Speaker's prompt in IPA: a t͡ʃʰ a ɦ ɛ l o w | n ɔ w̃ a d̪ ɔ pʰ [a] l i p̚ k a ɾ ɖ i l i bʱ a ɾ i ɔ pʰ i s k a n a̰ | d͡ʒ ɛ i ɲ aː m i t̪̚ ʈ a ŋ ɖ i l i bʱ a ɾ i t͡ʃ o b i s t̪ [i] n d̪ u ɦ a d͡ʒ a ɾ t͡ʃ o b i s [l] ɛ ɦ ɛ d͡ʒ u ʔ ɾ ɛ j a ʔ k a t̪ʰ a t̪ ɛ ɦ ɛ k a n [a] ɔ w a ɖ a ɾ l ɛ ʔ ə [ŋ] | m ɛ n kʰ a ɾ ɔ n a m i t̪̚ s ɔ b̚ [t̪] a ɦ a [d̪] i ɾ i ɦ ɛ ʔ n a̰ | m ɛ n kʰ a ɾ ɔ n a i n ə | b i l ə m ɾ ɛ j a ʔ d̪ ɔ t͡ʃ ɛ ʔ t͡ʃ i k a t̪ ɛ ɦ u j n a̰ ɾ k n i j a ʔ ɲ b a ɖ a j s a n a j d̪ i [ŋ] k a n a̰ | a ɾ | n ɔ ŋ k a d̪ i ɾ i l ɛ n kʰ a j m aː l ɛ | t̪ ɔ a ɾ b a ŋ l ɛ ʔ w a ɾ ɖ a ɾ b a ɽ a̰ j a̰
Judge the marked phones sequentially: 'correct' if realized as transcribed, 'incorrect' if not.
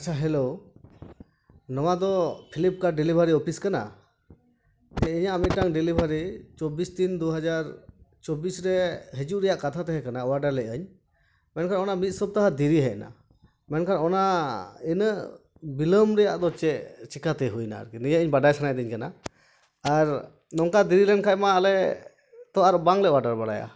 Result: incorrect, correct, incorrect, correct, incorrect, correct, correct, incorrect

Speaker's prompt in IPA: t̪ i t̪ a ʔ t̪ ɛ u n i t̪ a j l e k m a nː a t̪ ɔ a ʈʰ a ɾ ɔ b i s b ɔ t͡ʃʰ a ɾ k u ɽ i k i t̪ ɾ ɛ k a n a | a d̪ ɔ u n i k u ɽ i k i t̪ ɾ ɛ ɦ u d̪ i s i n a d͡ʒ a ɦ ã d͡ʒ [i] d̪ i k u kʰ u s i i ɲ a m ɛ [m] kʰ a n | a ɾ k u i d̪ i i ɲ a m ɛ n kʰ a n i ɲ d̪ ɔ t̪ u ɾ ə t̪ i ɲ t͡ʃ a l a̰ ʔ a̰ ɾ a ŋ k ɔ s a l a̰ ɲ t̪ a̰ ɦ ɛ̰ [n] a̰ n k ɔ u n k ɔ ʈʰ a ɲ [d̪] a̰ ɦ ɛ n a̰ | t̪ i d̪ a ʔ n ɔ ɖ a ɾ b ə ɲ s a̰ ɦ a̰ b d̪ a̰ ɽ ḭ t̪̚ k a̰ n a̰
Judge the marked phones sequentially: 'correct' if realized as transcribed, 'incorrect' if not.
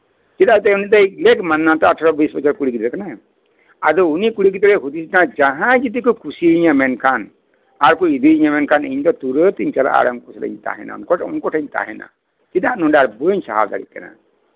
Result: correct, incorrect, correct, incorrect

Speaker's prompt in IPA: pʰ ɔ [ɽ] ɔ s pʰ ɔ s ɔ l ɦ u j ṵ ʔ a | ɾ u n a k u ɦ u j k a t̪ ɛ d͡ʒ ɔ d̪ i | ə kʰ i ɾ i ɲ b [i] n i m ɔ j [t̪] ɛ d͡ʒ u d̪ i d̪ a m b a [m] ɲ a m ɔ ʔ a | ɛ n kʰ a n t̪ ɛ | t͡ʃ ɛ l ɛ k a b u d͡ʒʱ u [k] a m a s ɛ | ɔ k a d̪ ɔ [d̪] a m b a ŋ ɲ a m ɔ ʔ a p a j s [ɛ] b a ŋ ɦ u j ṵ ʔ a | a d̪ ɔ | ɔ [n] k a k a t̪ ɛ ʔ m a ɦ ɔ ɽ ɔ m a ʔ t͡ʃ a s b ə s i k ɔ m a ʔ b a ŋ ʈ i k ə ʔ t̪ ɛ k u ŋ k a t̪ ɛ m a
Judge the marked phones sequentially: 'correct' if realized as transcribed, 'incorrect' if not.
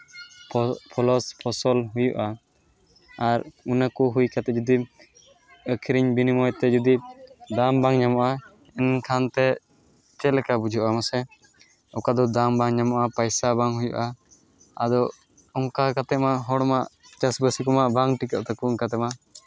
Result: incorrect, correct, correct, incorrect, incorrect, correct, incorrect, incorrect

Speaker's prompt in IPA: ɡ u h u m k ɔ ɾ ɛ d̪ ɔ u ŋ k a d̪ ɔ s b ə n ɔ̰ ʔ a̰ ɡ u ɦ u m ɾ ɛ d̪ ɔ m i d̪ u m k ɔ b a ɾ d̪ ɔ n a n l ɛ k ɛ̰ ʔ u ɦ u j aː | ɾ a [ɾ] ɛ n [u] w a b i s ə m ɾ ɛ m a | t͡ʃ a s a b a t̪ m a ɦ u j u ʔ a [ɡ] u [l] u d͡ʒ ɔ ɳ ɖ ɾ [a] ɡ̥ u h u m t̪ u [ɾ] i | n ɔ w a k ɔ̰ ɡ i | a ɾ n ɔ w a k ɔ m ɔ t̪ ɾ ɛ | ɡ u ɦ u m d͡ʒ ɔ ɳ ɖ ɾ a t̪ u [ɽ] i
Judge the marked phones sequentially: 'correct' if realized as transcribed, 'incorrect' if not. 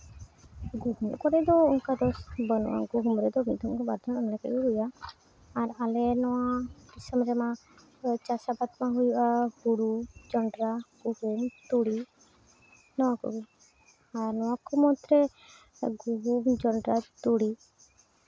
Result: incorrect, incorrect, correct, incorrect, correct, incorrect, correct

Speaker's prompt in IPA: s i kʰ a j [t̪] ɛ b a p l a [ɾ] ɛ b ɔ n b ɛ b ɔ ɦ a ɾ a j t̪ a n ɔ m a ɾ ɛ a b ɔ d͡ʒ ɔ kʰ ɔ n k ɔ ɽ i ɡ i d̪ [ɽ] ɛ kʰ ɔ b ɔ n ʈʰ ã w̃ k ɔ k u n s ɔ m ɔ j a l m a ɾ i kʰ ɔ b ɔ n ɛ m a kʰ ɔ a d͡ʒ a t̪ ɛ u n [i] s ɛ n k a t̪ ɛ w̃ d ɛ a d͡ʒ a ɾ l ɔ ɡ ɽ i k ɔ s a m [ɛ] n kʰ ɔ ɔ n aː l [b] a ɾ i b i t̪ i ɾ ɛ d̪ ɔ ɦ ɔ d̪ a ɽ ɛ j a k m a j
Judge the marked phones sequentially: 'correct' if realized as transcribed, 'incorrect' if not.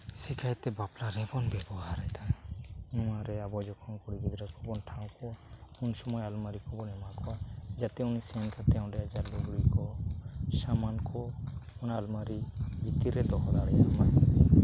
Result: correct, correct, incorrect, correct, incorrect, incorrect

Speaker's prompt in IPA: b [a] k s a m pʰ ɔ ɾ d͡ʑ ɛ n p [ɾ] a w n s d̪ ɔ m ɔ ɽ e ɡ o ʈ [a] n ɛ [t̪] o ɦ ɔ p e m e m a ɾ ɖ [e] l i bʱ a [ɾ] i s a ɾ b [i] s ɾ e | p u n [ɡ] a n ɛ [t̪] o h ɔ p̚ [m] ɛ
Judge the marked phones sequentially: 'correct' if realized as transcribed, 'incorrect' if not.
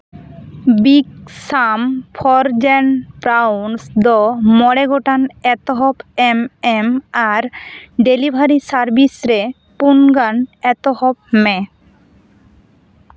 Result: incorrect, correct, correct, correct, correct, correct, correct, correct, correct, correct

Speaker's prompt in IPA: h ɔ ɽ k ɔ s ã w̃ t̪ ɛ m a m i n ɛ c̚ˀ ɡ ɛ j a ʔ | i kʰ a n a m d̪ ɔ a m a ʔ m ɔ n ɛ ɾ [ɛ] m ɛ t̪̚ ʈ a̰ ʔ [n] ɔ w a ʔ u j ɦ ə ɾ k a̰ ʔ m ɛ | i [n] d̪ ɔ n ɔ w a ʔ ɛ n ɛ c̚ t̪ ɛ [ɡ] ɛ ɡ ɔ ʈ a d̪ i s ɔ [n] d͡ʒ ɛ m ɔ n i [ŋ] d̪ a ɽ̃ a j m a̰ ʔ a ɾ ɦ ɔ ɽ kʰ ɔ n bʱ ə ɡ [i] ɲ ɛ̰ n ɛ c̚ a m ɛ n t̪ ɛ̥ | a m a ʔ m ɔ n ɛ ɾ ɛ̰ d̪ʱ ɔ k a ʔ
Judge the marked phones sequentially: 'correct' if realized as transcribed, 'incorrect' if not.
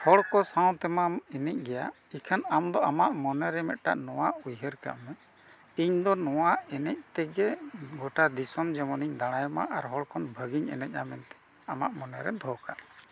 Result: correct, correct, incorrect, correct, incorrect, incorrect, correct

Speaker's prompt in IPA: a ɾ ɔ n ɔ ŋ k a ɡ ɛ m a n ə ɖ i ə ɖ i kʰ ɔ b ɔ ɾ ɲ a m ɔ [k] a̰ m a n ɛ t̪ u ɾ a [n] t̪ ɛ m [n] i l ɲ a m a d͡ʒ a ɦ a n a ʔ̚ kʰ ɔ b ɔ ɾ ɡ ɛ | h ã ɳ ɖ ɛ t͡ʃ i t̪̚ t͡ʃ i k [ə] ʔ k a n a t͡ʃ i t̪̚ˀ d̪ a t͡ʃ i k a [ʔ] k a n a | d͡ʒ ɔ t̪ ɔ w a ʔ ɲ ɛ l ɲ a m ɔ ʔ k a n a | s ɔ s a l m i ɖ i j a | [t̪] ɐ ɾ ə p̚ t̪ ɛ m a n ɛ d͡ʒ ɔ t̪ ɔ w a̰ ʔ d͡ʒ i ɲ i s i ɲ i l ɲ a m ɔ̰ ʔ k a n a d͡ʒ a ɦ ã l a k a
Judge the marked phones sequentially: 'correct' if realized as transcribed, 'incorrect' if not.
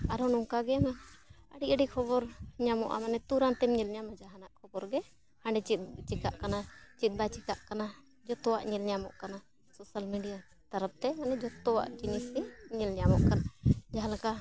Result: incorrect, correct, incorrect, incorrect, correct, correct

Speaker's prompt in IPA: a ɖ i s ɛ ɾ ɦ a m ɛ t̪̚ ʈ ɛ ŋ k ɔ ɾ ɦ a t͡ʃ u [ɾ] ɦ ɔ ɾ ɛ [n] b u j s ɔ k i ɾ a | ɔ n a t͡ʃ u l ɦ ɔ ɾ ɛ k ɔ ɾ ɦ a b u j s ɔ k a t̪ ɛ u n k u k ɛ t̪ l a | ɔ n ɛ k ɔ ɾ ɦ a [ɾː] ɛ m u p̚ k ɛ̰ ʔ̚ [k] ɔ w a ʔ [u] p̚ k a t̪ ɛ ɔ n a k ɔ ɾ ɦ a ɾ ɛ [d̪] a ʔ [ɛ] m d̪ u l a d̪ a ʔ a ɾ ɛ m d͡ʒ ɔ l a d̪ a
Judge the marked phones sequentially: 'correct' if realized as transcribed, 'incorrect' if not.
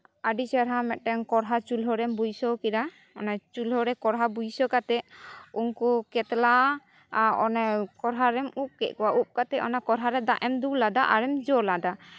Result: incorrect, incorrect, incorrect, correct, correct, correct, correct

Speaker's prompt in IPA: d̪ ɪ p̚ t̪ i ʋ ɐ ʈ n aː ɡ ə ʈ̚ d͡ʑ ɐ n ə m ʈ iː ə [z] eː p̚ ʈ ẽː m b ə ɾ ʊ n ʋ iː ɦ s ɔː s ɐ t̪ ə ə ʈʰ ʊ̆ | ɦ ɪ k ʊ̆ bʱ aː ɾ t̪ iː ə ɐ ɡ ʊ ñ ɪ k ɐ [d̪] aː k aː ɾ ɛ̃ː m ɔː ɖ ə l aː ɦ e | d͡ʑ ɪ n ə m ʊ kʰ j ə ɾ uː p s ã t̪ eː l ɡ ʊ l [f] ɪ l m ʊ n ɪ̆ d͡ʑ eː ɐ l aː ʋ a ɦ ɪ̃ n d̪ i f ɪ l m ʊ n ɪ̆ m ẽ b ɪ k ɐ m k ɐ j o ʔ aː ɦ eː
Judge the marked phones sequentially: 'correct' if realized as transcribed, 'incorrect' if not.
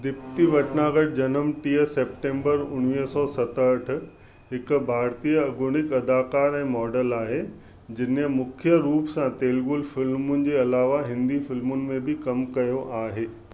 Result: incorrect, correct, correct

